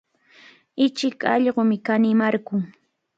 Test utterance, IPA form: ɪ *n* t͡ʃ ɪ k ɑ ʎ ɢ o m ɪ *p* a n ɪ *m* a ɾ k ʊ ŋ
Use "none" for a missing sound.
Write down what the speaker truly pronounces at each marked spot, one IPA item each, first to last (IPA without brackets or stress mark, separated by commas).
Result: none, k, m